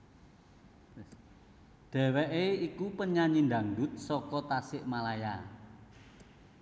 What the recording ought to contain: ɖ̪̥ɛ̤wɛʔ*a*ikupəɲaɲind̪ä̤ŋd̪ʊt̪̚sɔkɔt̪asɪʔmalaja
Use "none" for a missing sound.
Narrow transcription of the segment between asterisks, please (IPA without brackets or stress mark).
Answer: e